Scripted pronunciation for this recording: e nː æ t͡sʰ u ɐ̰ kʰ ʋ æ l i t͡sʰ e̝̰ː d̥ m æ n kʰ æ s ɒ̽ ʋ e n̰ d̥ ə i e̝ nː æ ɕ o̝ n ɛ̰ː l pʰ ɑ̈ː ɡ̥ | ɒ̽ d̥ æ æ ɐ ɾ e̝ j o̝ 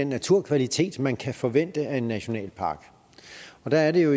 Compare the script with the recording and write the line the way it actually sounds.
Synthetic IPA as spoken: e nː æ t͡sʰ u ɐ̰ kʰ ʋ æ l i t͡sʰ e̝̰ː d̥ m æ n kʰ æ f ɒ̽ ʋ e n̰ d̥ ə æ e̝ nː æ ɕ o̝ n ɛ̰ː l pʰ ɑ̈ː ɡ̥ | ɒ̽ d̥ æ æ ɐ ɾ e̝ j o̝